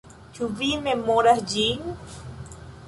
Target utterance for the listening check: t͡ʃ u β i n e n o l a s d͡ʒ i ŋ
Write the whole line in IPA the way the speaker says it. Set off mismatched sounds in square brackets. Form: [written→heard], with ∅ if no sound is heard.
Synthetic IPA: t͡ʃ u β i [n→m] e [n→m] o [l→ɾ] a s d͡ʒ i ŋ